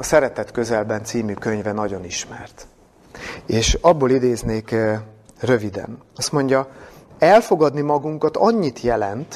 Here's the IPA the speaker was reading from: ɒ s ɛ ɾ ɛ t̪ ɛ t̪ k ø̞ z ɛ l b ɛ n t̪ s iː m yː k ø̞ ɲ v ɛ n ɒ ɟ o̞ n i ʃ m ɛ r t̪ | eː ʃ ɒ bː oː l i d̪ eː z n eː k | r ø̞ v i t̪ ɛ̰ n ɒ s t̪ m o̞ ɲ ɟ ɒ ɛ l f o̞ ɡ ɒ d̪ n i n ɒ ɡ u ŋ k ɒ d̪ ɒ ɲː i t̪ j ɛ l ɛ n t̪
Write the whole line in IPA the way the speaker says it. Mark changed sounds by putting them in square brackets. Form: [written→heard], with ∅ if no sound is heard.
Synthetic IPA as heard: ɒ s ɛ ɾ ɛ t̪ ɛ t̪ k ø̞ z ɛ l b ɛ n t̪ s iː m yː k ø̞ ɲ v ɛ n ɒ ɟ o̞ n i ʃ m ɛ r t̪ | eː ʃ ɒ bː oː l i d̪ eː z n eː k | r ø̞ v i [t̪→d̪] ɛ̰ n ɒ s t̪ m o̞ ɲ ɟ ɒ ɛ l f o̞ ɡ ɒ d̪ n i [n→m] ɒ ɡ u ŋ k ɒ [d̪→t̪] ɒ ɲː i t̪ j ɛ l ɛ n t̪